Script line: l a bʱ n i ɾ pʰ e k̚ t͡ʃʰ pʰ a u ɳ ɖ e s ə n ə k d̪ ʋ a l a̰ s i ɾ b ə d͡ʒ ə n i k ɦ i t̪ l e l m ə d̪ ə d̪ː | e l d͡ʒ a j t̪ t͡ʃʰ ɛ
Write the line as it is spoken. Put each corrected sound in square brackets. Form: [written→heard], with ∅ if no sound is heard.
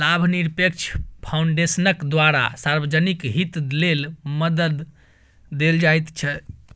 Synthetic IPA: l a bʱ n i ɾ [pʰ→p] e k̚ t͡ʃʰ pʰ a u ɳ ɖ e s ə n ə k d̪ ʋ a [l→ɾ] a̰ s [i→a] ɾ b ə d͡ʒ ə n i k ɦ i t̪ l e l m ə d̪ ə d̪ː | e l d͡ʒ a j t̪ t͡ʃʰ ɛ